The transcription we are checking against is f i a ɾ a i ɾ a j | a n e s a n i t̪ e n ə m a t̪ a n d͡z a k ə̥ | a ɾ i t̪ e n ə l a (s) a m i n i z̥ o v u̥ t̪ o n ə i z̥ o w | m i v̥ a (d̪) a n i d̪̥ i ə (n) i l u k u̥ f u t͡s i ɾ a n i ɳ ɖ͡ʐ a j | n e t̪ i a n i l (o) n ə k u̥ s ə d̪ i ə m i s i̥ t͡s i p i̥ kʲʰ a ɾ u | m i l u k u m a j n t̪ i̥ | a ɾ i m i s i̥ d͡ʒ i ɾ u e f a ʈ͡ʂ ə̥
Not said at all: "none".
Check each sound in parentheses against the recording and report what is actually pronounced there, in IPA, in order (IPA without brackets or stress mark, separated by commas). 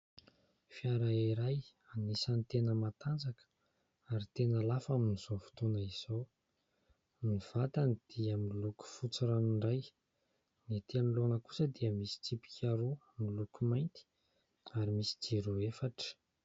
f, t̪, m, o